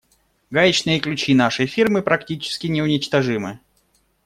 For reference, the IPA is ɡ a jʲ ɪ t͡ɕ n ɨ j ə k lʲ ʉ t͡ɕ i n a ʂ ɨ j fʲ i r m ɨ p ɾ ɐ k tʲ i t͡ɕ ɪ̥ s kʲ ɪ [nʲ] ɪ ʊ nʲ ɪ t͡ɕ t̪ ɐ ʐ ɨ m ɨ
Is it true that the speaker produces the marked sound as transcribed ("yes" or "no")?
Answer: yes